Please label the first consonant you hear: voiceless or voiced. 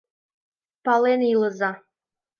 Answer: voiceless